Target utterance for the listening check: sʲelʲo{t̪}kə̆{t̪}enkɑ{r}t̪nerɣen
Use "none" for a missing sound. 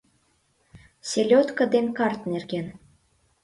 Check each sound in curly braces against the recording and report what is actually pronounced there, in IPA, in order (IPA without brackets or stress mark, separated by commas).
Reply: t̪, d̪, r